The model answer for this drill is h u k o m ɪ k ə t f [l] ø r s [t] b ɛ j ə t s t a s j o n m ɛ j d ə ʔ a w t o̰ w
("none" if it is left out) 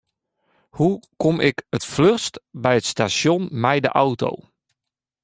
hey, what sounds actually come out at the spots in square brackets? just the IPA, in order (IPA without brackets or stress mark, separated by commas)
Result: l, t